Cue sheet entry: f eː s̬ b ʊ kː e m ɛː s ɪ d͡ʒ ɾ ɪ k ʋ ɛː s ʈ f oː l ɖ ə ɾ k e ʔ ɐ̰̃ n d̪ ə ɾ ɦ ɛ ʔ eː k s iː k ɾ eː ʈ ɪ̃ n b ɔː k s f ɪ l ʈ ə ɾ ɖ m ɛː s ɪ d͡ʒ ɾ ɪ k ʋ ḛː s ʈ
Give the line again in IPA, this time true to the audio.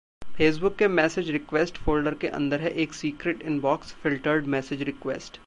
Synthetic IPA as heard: f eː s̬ b ʊ kː e m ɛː s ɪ d͡ʒ ɾ ɪ k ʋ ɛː s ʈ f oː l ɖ ə ɾ k e ʔ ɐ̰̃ n d̪ ə ɾ ɦ ɛ ʔ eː k s iː k ɾ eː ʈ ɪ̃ n b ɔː k s f ɪ l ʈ ə ɾ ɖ m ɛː s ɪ d͡ʒ ɾ ɪ k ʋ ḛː s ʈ